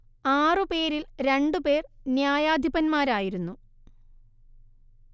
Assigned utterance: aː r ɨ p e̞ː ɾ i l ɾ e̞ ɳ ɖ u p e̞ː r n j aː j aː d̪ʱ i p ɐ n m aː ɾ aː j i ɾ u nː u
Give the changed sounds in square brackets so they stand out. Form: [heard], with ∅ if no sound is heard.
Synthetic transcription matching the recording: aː r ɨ p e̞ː ɾ i l ɾ e̞ ɳ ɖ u p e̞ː r n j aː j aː d̪ʱ i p ɐ n m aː ɾ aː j i ɾ u nː u